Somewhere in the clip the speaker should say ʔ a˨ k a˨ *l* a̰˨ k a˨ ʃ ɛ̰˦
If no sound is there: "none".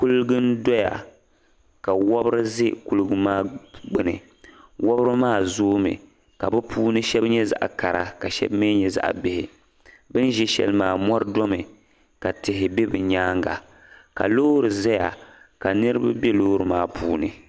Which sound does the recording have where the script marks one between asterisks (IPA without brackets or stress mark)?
ɾ